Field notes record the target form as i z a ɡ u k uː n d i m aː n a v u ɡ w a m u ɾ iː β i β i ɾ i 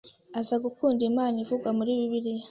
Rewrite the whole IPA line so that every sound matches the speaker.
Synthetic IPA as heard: a z a ɡ u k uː n d i m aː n i v u ɡ w a m u ɾ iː β i β i ɾ i

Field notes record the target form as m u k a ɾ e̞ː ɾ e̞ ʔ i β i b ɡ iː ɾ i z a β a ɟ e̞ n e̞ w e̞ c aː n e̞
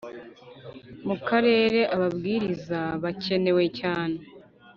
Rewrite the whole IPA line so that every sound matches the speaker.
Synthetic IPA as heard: m u k a ɾ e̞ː ɾ e̞ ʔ a β a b ɡ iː ɾ i z a β a c e̞ n e̞ w e̞ c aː n e̞

